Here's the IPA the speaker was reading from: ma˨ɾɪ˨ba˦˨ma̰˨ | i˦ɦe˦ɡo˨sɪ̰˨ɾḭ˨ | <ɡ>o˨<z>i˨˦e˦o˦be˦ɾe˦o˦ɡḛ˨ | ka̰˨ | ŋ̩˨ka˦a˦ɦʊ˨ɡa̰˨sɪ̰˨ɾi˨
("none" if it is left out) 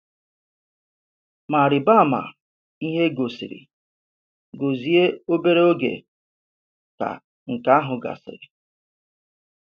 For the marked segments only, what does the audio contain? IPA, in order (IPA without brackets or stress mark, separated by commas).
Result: ɡ, z